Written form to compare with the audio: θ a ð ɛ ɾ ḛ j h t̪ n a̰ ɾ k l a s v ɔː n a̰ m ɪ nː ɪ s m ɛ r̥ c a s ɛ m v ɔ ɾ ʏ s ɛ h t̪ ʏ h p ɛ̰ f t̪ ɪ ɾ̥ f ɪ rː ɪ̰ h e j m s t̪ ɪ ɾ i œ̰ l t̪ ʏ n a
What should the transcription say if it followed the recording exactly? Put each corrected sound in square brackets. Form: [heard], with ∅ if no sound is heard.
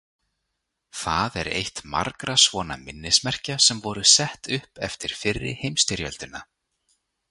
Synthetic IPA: θ a ð ɛ ɾ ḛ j h t̪ [m] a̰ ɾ k [ɾ] a s v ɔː n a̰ m ɪ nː ɪ s m ɛ r̥ c a s ɛ m v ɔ ɾ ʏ s ɛ h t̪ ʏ h p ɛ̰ f t̪ ɪ ɾ̥ f ɪ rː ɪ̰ h e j m s t̪ ɪ ɾ [j] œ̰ l t̪ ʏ n a